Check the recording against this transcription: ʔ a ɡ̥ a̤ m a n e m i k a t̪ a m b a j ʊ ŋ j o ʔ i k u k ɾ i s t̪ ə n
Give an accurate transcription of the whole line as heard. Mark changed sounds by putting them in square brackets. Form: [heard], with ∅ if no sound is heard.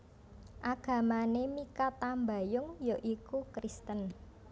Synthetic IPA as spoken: ʔ a ɡ̥ a̤ m a n e m i k a t̪ a m b a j ʊ ŋ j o ʔ i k u k ɾ i s t̪ ə n